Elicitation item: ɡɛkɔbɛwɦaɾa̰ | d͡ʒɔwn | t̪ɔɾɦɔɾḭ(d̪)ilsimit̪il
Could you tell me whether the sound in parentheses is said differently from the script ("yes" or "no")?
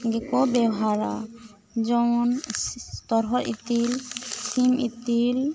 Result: yes